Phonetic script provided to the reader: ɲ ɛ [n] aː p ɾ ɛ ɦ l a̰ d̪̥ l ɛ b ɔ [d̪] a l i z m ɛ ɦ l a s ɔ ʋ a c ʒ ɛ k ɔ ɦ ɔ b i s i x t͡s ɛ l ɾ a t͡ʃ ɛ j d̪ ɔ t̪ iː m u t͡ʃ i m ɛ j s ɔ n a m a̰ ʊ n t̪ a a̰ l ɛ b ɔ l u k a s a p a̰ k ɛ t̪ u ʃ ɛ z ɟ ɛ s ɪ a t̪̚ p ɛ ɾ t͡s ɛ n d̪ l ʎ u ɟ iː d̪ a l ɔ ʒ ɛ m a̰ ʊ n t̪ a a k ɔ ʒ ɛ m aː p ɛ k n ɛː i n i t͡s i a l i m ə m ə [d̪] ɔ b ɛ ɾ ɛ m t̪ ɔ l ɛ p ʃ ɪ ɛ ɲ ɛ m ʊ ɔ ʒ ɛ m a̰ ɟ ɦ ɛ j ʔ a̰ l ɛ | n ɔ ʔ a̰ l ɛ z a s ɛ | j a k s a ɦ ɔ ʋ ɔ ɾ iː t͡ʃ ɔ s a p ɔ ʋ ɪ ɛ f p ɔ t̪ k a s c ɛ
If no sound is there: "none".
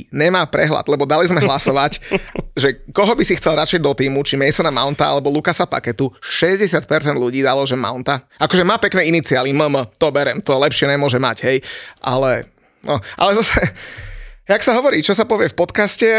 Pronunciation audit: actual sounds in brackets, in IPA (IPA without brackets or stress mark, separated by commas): m, d̪, t̪